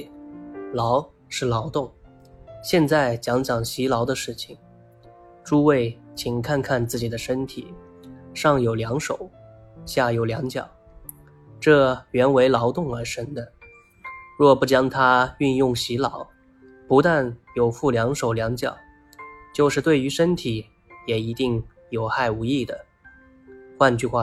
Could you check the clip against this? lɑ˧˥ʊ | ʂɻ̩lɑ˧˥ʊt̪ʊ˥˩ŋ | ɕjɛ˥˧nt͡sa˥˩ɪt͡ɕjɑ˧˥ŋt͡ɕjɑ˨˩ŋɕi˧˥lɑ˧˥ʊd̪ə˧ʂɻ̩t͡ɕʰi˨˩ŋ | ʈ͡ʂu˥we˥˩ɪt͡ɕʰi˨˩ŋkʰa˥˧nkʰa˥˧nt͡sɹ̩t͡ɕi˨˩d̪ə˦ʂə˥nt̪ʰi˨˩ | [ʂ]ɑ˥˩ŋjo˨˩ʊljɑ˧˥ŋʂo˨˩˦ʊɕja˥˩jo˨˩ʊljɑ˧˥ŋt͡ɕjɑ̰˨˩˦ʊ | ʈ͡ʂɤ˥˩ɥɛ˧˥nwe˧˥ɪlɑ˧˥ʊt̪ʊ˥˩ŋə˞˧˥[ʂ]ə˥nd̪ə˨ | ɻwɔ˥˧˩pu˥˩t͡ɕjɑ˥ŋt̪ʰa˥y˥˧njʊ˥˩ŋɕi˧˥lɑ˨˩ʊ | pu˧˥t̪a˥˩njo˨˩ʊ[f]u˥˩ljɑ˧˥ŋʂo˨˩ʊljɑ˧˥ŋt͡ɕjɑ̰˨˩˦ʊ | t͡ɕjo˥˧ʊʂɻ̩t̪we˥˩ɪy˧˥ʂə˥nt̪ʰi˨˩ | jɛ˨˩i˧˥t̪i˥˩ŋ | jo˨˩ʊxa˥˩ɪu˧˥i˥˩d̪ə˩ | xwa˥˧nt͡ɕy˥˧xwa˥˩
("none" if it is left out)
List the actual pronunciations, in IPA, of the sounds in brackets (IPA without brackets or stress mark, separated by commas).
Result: ʂ, ʂ, f